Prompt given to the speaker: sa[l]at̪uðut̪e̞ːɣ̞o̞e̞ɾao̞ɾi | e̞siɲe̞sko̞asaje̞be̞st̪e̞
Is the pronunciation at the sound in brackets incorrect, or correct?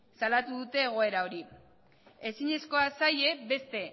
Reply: correct